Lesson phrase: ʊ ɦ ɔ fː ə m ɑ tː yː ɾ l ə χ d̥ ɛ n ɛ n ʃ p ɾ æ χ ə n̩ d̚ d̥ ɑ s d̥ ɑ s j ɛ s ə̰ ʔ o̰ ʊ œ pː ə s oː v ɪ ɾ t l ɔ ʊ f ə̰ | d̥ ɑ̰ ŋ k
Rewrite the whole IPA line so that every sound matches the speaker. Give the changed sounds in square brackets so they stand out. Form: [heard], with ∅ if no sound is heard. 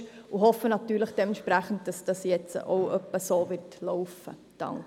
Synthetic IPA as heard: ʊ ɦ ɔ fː ə [n] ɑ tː yː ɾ l ə χ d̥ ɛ [m] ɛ n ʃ p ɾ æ χ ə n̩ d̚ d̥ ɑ s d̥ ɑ s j ɛ [t͡s] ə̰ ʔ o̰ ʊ œ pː ə s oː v ɪ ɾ t l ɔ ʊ f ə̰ | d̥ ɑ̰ ŋ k